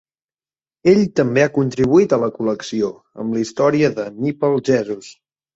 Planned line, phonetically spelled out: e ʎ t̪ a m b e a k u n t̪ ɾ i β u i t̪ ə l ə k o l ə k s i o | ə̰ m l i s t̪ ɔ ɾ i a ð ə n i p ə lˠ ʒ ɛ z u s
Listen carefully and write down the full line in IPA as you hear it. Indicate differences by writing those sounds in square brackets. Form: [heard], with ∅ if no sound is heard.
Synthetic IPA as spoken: e ʎ t̪ [ə] m b e a k u n t̪ ɾ i β u i t̪ ə l ə k [u] l ə k s i o | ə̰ m l i s t̪ ɔ ɾ i [ə] ð ə n i p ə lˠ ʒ ɛ z u s